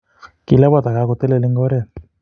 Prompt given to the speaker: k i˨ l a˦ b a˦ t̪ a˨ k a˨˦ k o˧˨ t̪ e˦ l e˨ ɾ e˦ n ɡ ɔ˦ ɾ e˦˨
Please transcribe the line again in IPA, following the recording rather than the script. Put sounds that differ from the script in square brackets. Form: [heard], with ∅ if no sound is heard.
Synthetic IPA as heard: k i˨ l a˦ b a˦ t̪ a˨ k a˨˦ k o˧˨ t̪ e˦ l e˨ [l] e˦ [ŋ] ɡ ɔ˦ ɾ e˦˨

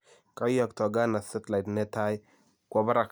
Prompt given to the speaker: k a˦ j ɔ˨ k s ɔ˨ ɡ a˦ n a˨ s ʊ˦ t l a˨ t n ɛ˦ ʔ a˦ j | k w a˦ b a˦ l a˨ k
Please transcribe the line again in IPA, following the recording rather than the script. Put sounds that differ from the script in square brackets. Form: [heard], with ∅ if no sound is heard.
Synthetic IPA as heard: k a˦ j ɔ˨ k [t] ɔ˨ ɡ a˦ n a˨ s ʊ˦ t l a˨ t n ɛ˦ [t] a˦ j | k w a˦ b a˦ [ɾ] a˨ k

